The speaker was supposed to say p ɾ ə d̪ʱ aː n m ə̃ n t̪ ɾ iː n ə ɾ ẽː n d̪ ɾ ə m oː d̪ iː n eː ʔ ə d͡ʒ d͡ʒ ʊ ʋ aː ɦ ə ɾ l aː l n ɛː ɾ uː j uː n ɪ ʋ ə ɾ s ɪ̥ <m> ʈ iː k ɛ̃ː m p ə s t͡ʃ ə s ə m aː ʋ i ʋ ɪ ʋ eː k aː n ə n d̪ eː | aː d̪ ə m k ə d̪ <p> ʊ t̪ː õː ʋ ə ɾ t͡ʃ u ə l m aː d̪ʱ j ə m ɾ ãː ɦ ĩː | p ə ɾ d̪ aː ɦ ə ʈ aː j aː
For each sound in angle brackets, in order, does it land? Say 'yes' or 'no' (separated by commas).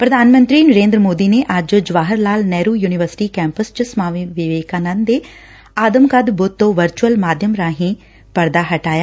no, no